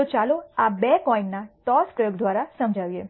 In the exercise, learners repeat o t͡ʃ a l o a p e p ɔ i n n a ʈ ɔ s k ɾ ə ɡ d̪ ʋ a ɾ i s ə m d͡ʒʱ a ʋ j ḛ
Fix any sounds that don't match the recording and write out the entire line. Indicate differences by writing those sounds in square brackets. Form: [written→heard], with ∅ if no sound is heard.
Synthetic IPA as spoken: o t͡ʃ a l o a [p→b] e [p→k] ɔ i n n a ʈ ɔ s k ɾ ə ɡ d̪ ʋ a ɾ [i→a] s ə m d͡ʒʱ a ʋ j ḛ